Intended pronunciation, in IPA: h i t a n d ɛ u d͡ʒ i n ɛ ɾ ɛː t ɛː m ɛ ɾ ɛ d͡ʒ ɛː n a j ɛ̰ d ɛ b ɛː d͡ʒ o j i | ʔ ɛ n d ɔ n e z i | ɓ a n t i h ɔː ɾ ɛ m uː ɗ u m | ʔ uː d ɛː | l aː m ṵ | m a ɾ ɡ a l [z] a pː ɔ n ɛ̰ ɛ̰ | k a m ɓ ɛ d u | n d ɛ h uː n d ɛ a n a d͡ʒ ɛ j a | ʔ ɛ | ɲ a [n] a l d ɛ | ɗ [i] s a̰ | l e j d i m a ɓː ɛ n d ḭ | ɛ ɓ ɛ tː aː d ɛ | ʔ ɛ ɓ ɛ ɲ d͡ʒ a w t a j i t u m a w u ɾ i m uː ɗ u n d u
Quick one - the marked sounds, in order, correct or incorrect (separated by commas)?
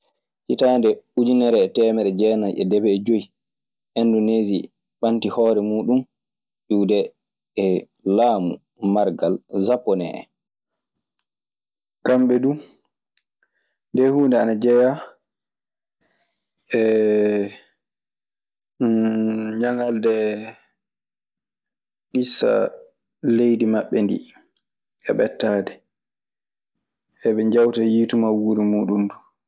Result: correct, incorrect, correct